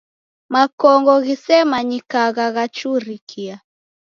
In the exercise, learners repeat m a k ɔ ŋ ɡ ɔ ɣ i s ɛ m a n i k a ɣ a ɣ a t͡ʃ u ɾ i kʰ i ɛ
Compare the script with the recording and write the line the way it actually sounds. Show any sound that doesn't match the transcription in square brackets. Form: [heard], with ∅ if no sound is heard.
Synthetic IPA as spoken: m a k ɔ ŋ ɡ ɔ ɣ i s ɛ m a [ɲ] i k a ɣ a ɣ a t͡ʃ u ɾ i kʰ i [a]